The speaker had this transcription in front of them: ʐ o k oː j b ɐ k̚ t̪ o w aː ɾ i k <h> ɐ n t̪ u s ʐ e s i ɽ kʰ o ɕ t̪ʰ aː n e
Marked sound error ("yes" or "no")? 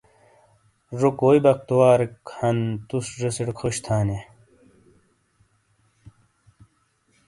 no